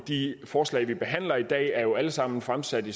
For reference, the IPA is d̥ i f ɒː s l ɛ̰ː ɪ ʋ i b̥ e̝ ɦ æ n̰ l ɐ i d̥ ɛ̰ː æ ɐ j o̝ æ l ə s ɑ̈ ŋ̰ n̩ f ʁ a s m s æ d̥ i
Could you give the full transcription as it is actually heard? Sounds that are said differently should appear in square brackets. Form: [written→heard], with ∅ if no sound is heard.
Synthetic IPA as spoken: d̥ i f ɒː s l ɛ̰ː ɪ ʋ i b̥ e̝ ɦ æ n̰ l ɐ i d̥ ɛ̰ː æ ɐ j o̝ æ l ə s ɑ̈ [ŋ̰→m̰] n̩ f ʁ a [s→∅] m s æ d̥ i